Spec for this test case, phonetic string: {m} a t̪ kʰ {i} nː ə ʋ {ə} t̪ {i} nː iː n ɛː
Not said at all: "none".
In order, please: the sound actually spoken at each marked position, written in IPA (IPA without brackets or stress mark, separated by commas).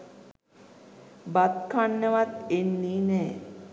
b, a, a, e